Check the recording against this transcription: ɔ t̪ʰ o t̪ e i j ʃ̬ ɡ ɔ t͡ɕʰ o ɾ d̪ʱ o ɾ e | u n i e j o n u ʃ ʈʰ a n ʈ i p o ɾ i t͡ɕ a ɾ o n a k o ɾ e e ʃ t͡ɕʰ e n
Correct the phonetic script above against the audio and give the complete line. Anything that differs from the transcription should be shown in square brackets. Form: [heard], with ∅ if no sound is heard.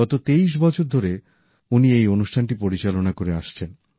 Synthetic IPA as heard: ɔ [t̪] o t̪ e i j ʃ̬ [b] ɔ t͡ɕʰ o ɾ d̪ʱ o ɾ e | u n i e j o n u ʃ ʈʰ a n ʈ i p o ɾ i t͡ɕ a [l] o n a k o ɾ e [a] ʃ t͡ɕʰ e n